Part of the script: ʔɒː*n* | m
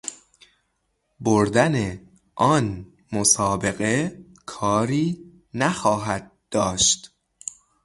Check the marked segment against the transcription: correct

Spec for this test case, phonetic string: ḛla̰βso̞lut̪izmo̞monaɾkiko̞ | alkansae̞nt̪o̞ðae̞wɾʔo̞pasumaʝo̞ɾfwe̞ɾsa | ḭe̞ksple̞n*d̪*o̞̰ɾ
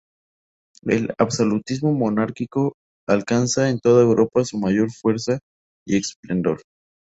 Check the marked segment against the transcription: correct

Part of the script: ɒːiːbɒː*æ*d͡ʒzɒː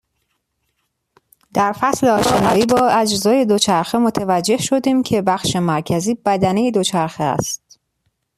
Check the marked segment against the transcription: correct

